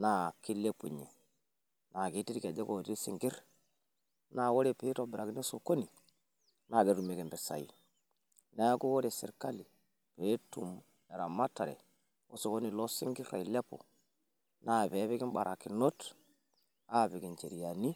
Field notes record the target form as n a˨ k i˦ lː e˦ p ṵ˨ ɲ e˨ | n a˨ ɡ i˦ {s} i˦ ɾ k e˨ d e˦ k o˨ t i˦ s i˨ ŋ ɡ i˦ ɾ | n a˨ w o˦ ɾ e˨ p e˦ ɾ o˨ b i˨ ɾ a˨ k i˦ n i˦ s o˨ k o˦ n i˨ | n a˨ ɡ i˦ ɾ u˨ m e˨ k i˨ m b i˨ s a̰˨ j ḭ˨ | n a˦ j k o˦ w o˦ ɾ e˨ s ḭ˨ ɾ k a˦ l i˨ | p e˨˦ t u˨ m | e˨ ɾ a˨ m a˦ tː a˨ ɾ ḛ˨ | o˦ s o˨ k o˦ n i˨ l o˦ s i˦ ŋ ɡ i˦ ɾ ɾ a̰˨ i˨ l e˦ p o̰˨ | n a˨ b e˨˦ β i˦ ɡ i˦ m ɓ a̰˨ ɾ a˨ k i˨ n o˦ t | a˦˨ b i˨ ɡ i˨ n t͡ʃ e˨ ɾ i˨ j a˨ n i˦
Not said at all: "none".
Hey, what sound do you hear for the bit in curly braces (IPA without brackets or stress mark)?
t